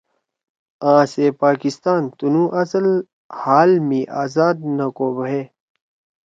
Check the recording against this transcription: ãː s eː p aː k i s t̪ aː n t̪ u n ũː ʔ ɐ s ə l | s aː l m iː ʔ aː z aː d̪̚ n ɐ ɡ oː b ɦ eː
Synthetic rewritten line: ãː s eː p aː k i s t̪ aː n t̪ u n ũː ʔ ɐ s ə l | h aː l m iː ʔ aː z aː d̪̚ n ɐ k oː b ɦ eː